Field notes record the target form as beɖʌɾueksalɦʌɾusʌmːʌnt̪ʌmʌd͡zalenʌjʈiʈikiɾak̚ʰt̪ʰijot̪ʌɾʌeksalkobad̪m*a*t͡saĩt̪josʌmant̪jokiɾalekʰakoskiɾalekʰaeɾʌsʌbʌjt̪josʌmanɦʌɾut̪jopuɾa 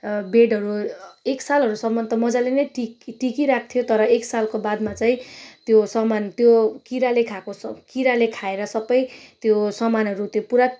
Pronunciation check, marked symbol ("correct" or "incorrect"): correct